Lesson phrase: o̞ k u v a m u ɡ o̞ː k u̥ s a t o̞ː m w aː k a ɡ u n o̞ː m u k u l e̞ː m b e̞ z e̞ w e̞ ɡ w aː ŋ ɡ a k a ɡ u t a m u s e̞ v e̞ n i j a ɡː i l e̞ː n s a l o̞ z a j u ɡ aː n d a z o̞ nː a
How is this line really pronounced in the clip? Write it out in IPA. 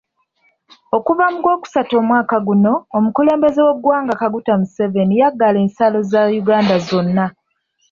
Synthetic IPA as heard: o̞ k u v a m u ɡ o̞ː k u̥ s a t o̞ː m w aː k a ɡ u n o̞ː m u k u l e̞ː m b e̞ z e̞ w e̞ ɡ w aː ŋ ɡ a k a ɡ u t a m u s e̞ v e̞ n i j a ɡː a l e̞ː n s a l o̞ z a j u ɡ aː n d a z o̞ nː a